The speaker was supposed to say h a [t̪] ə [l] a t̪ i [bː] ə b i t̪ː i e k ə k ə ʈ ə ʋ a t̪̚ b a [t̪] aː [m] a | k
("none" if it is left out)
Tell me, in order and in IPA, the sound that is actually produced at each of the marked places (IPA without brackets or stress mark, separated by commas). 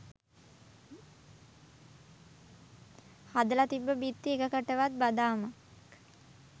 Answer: d̪, l, bː, d̪, m